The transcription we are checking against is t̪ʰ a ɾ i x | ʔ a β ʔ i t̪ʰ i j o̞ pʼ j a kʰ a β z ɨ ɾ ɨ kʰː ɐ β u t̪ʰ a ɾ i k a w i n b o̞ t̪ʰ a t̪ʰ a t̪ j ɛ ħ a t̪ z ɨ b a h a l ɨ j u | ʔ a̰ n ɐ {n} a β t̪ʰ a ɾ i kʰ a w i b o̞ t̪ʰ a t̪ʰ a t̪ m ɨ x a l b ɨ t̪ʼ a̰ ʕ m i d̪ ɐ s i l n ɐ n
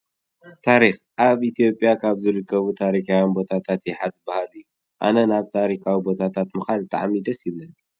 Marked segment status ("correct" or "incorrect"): correct